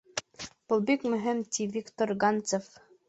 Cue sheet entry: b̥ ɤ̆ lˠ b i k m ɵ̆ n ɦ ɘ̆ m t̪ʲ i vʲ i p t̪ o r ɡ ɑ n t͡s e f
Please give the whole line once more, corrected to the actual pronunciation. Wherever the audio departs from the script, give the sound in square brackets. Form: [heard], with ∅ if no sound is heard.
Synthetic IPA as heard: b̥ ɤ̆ lˠ b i k m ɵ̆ [∅] ɦ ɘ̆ m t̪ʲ i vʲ i [k] t̪ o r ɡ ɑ n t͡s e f